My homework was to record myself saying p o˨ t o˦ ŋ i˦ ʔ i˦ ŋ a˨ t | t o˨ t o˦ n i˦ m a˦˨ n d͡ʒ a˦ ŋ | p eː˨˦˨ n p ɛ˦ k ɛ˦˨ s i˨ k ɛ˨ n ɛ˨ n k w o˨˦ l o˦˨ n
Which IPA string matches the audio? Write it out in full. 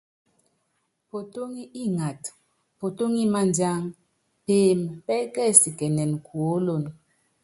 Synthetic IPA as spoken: p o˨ t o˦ ŋ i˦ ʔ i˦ ŋ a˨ t | p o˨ t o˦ ŋ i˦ m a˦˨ n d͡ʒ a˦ ŋ | p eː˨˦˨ m p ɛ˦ k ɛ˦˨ s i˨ k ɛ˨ n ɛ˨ n k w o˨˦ l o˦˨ n